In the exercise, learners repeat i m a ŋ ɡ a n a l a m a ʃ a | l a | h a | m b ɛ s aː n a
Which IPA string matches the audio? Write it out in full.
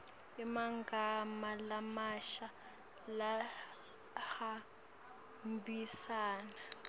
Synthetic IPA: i m a ŋ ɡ a m a l a m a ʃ a | l a | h a | m b i s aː n a